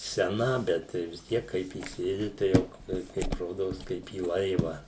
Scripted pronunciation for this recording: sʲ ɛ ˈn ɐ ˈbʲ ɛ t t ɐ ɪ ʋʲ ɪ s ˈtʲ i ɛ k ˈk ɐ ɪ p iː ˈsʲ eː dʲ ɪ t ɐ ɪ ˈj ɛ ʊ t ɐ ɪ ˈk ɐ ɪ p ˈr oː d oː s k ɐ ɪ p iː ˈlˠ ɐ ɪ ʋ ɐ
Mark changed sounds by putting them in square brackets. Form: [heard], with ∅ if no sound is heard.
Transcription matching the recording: sʲ ɛ ˈn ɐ ˈbʲ ɛ t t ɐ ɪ ʋʲ ɪ s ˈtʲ i ɛ k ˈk ɐ ɪ p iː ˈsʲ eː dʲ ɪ t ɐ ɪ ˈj ɛ ʊ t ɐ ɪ ˈk ɐ ɪ p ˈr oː d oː s k ɐ ɪ p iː ˈlˠ ɐ ɪ ʋ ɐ